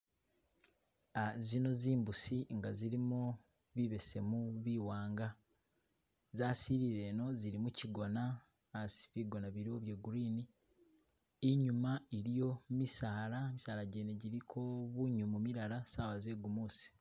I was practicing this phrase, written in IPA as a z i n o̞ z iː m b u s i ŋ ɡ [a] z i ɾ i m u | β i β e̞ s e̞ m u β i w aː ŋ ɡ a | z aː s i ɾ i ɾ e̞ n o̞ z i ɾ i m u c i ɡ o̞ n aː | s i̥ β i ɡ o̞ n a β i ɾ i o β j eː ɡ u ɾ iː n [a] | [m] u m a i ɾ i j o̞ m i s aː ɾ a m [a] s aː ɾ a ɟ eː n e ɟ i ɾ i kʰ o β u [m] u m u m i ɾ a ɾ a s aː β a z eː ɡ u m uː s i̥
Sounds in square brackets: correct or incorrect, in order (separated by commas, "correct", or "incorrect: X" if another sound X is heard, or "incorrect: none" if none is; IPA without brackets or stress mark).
correct, incorrect: i, incorrect: ɲ, incorrect: i, incorrect: ɲ